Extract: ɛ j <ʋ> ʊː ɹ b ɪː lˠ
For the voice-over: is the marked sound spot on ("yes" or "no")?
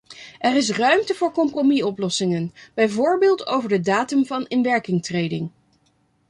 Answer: no